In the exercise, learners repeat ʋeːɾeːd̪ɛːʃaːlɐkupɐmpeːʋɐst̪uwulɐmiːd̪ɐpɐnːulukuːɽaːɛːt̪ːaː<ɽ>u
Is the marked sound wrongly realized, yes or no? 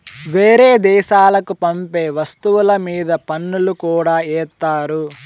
yes